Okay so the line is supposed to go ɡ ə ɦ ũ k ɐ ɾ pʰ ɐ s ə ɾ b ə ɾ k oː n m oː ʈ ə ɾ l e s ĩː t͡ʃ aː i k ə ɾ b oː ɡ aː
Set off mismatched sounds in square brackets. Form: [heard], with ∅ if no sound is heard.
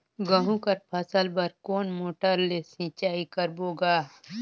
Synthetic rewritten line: ɡ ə ɦ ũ k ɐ ɾ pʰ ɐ s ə [l] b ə ɾ k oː n m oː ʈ ə ɾ l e s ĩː t͡ʃ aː i k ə ɾ b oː ɡ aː